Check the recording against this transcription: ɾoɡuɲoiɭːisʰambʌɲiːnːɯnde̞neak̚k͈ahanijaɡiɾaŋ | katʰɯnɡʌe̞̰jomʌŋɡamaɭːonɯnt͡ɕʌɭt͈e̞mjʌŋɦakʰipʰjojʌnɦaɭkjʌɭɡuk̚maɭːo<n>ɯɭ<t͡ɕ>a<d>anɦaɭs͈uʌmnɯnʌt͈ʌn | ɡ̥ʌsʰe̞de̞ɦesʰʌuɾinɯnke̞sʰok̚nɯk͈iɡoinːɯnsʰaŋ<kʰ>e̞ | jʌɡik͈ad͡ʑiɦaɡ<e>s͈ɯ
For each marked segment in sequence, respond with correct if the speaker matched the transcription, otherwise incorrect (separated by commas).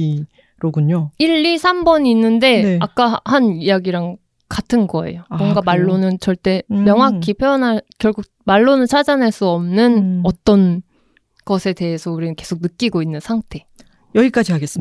correct, incorrect, incorrect, incorrect, correct